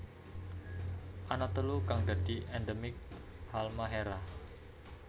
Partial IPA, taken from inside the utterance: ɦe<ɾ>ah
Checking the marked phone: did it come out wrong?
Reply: no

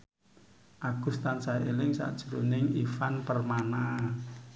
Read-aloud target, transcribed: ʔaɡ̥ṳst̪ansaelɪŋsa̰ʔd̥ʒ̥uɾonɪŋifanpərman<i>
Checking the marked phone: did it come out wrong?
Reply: yes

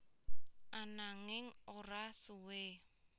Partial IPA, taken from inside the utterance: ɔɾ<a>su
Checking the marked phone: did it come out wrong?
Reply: no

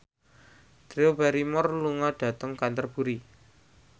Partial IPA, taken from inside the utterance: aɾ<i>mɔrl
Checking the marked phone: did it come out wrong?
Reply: no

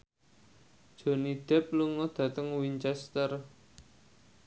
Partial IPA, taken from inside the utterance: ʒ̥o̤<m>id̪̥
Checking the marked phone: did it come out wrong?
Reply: yes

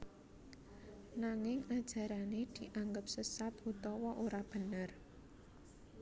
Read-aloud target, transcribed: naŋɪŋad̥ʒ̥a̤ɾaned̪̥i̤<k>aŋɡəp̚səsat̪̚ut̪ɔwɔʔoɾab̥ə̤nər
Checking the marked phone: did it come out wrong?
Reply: yes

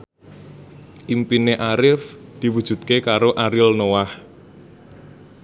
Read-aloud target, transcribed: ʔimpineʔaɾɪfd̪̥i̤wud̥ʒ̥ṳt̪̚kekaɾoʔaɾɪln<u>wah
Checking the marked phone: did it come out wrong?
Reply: yes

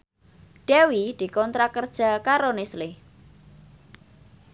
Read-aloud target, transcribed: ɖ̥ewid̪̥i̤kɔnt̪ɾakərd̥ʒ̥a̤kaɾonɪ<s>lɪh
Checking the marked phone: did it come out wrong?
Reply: no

